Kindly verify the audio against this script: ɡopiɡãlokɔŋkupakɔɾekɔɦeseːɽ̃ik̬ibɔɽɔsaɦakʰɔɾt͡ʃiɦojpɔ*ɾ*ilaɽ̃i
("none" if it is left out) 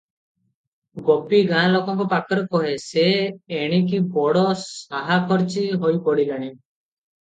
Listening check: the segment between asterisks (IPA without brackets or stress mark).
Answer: ɽ